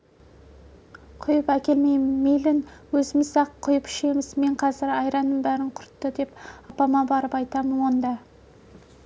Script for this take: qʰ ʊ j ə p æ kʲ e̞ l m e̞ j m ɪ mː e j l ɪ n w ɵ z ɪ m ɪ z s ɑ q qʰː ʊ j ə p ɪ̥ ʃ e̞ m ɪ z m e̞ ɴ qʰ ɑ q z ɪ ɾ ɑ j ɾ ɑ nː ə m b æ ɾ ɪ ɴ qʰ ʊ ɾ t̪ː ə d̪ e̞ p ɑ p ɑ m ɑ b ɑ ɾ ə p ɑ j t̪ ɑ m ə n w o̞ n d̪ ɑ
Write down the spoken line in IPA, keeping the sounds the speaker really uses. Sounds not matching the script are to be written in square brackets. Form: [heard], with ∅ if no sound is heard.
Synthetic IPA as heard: qʰ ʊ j ə p æ kʲ e̞ l m e̞ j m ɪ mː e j l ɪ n w ɵ z ɪ m ɪ z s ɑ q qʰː ʊ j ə p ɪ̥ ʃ e̞ m ɪ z m e̞ ɴ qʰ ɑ [∅] z ɪ ɾ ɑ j ɾ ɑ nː ə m b æ ɾ ɪ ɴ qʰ ʊ ɾ t̪ː ə d̪ e̞ p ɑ p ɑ m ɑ b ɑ ɾ ə p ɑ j t̪ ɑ m ə n w o̞ n d̪ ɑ